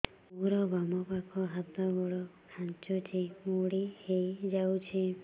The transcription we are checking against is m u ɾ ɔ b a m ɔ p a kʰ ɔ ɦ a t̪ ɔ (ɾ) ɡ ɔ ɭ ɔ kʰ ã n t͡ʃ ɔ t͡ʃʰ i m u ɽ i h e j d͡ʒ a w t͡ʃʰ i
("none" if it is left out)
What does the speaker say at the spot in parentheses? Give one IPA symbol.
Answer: none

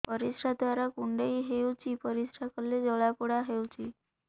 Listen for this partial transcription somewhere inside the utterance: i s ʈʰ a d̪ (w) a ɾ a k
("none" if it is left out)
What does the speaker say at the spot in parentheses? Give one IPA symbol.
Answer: ʋ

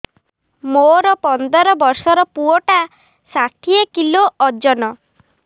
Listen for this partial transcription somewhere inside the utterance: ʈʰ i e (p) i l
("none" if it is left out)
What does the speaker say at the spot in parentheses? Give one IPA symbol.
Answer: k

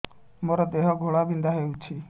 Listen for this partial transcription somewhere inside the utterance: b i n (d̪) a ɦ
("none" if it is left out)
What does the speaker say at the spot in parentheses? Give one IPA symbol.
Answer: d̪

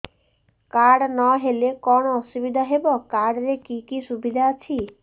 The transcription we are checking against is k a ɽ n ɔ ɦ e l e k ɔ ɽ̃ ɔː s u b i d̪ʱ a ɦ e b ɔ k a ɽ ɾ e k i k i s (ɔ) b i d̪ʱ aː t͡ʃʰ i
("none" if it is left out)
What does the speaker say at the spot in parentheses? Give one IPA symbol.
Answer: u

